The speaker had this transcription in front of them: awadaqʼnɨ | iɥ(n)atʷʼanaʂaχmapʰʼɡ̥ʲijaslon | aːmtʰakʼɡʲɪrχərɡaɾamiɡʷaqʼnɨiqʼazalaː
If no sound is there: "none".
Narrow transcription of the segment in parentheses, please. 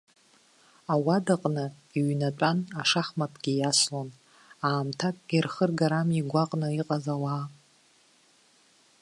n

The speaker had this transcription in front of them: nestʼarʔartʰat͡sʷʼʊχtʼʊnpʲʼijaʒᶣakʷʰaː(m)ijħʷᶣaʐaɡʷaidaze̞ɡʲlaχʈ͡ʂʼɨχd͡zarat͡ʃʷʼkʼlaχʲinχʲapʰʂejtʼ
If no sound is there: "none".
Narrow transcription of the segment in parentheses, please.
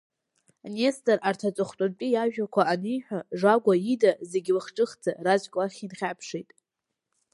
n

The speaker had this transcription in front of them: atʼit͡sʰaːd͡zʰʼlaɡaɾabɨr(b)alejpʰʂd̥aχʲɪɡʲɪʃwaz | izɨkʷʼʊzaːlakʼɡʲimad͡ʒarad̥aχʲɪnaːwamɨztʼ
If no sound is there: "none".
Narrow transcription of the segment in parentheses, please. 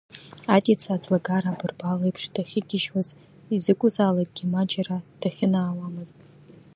b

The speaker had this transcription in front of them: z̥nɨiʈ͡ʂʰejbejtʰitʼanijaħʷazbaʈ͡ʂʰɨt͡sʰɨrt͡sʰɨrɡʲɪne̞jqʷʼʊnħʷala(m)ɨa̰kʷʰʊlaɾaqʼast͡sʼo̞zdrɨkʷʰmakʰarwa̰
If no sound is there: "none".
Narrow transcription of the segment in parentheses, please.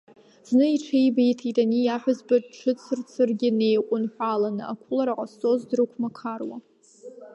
n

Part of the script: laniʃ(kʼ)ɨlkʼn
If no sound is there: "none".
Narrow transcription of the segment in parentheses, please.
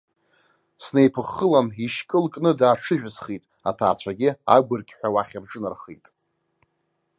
kʼ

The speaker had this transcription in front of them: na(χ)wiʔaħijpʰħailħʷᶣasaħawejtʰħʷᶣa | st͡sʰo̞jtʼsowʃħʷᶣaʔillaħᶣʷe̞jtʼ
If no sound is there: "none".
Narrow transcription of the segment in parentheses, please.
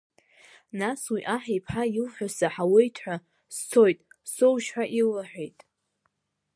s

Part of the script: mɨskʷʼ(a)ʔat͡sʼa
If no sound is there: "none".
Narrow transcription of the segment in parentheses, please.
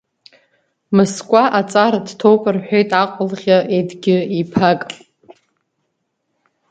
a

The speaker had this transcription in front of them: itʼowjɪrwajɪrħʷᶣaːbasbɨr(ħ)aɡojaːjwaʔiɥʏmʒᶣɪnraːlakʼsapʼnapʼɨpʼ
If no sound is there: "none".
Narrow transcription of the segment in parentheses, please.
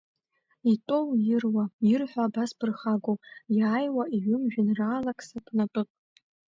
χ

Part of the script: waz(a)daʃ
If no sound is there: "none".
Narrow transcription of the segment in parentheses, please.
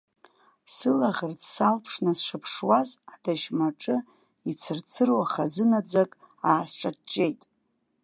a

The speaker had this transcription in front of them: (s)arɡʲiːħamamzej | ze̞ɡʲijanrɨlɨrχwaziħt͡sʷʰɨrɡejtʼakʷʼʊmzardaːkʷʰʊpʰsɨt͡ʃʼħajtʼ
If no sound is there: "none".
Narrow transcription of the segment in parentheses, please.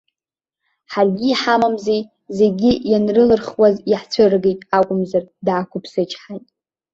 ħ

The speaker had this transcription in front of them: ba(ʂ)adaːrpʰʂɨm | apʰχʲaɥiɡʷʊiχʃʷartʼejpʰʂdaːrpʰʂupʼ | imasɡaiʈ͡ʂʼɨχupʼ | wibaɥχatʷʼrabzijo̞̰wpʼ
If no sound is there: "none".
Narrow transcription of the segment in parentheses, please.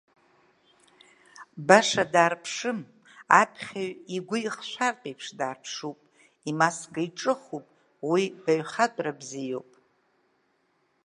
ʂ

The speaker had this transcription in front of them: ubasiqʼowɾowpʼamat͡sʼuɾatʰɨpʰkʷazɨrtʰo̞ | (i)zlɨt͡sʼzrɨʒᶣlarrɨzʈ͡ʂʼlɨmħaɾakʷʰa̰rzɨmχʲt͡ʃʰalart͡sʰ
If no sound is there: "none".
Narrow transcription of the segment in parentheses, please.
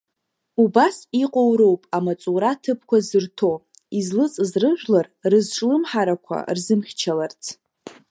i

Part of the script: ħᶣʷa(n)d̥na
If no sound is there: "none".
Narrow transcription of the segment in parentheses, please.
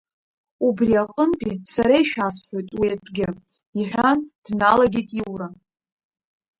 n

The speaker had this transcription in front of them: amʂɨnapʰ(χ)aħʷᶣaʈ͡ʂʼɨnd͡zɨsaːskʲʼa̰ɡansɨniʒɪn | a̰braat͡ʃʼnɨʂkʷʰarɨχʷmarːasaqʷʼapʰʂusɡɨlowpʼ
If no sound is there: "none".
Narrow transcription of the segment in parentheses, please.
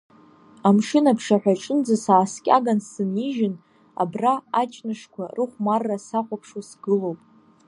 ʂ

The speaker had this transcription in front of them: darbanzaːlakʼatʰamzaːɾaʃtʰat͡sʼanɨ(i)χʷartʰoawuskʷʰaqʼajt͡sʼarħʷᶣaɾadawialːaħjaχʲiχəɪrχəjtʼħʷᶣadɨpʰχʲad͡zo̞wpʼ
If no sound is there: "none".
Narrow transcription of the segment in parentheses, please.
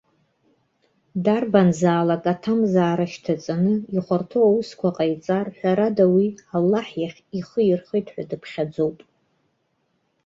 i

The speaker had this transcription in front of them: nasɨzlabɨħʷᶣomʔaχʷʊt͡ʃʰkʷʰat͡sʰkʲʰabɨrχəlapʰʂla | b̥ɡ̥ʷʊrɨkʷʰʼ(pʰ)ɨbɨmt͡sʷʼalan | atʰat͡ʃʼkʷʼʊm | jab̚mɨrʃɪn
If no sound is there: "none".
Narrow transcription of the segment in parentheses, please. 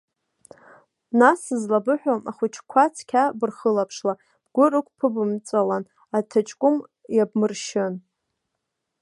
pʰ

